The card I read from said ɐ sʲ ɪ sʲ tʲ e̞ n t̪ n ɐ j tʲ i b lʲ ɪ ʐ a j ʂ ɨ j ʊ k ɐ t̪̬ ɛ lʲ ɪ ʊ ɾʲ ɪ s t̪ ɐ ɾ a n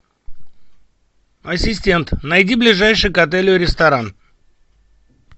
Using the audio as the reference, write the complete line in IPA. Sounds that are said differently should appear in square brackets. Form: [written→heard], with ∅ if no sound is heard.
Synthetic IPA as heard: ɐ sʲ ɪ sʲ tʲ e̞ n t̪ n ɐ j [tʲ→dʲ] i b lʲ ɪ ʐ a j ʂ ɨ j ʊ k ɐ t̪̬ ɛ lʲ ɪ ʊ ɾʲ ɪ s t̪ ɐ ɾ a n